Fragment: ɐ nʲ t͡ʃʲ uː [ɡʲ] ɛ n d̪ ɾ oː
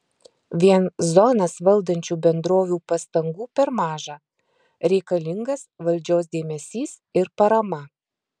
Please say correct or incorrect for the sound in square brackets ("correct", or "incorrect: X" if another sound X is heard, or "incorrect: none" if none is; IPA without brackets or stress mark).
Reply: incorrect: bʲ